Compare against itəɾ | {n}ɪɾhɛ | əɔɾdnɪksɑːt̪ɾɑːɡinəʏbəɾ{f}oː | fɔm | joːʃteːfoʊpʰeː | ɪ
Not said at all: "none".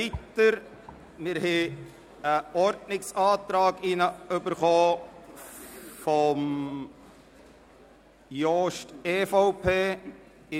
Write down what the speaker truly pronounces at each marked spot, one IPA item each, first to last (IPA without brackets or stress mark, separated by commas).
m, χ